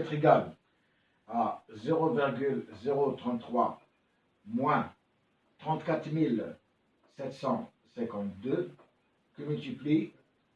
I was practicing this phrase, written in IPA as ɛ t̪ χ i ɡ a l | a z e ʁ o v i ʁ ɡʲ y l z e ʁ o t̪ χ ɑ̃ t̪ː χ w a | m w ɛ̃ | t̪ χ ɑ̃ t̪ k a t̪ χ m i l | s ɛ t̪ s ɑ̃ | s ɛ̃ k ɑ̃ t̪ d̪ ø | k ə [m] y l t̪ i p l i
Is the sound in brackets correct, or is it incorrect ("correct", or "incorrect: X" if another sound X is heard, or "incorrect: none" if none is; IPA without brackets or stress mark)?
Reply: correct